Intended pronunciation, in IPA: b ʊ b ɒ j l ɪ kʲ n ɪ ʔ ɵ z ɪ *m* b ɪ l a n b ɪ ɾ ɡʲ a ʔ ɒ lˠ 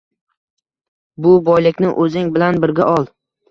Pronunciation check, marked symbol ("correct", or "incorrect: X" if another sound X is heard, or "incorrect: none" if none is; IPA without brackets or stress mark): incorrect: ŋ